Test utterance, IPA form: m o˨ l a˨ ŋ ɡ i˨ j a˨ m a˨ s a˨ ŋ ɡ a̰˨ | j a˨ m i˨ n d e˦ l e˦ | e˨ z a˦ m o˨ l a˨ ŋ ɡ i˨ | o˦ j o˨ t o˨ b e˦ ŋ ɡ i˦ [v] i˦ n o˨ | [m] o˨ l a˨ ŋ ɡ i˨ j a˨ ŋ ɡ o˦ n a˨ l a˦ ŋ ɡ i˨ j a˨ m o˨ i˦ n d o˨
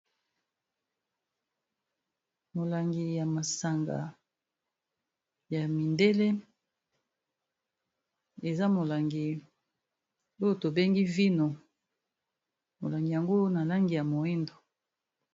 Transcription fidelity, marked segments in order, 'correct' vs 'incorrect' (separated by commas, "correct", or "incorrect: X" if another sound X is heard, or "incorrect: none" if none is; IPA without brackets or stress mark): correct, correct